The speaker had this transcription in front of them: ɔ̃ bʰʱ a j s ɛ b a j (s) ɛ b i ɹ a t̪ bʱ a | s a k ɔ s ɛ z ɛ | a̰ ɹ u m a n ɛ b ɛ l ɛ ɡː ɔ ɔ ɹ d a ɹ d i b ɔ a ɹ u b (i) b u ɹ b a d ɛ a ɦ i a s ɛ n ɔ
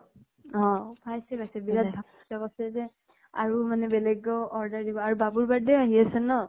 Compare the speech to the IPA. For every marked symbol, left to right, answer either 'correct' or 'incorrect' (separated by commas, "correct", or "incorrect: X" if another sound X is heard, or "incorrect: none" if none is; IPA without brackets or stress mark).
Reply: correct, incorrect: a